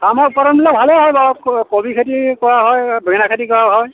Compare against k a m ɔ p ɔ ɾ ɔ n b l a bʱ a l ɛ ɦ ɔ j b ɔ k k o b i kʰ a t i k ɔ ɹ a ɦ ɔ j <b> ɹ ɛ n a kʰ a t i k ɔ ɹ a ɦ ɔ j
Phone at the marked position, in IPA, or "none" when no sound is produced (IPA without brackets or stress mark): b